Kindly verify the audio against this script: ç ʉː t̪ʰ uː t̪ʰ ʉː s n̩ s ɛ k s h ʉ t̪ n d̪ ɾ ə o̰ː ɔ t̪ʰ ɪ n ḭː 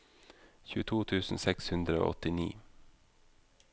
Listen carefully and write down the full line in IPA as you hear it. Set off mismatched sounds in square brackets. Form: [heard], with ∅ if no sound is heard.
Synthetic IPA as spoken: ç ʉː t̪ʰ uː t̪ʰ ʉː s n̩ s ɛ k s h ʉ [∅] n d̪ ɾ ə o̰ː ɔ [t̪] ɪ n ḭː